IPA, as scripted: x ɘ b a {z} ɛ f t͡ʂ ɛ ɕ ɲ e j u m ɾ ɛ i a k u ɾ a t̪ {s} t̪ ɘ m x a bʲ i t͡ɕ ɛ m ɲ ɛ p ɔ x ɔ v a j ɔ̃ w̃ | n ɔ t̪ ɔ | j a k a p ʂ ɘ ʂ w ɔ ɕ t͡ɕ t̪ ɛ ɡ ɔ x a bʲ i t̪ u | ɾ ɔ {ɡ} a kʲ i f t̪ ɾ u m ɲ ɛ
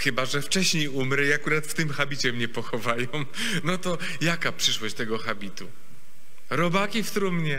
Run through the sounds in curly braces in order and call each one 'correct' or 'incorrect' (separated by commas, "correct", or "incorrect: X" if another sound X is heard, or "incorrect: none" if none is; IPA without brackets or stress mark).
incorrect: ʐ, incorrect: f, incorrect: b